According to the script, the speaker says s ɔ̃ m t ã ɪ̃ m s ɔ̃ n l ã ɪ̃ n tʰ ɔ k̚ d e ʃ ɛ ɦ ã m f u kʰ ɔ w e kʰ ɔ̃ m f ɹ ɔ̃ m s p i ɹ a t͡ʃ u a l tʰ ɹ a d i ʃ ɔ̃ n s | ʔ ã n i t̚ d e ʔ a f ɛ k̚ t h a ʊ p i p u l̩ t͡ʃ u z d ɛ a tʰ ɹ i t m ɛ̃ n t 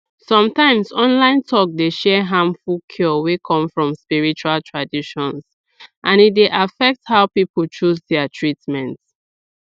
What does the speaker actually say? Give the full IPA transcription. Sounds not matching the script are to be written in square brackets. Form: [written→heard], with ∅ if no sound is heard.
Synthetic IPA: s ɔ̃ m t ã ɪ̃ m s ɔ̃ n l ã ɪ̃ n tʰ ɔ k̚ d e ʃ ɛ ɦ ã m f u kʰ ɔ w e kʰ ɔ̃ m f ɹ ɔ̃ m s p i ɹ [a→i] t͡ʃ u a l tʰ ɹ a d i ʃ ɔ̃ n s | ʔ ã n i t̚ d e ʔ a f ɛ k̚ t h a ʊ p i p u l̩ t͡ʃ u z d ɛ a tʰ ɹ i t m ɛ̃ n t

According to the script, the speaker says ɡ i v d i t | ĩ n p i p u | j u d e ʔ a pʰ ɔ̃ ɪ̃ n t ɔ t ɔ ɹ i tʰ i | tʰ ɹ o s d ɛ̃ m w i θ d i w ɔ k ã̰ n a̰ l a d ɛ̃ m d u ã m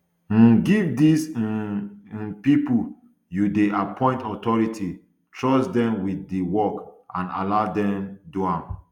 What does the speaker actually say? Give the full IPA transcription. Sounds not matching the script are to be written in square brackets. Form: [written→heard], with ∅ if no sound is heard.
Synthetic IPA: ɡ i v d i [t→s] | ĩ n p i p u | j u d e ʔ a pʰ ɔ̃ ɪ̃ n t ɔ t ɔ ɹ i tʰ i | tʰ ɹ [o→ɔ] s d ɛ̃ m w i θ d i w ɔ k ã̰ n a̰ l a d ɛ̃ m d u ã m

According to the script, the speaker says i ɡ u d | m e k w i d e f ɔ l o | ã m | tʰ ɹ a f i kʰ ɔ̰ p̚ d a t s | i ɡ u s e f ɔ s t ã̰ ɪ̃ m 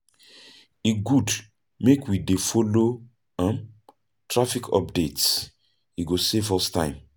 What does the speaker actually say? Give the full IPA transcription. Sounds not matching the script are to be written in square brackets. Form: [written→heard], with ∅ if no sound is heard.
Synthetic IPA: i ɡ u d | m e k w i d e f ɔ l o | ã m | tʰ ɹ a f i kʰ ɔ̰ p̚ d [a→e] t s | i ɡ [u→o] s e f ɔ s t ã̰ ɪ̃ m

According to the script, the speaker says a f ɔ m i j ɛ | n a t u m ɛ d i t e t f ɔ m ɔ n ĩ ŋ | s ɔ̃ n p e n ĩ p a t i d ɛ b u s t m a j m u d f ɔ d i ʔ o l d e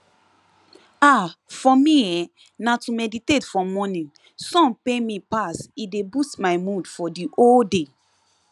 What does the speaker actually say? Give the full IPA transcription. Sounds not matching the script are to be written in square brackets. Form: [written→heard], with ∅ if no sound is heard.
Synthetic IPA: a f ɔ m i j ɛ | n a t u m ɛ d i t e t f ɔ m ɔ n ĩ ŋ | s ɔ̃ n p e [n→m] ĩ p a [t→s] i d [ɛ→e] b u s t m a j m u d f ɔ d i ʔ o l d e

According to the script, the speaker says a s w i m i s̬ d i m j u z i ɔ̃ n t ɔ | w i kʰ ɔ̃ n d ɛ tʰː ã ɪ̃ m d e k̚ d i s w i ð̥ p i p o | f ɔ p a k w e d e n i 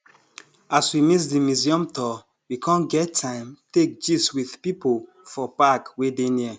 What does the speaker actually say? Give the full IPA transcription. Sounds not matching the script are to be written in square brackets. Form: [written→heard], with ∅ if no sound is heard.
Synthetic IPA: a s w i m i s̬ d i m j u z i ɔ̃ [n→m] t ɔ | w i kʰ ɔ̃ n [d→ɡ] ɛ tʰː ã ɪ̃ m [d→t] e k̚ [d→d͡ʒ] i s w i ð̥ p i p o | f ɔ p a k w e d e n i

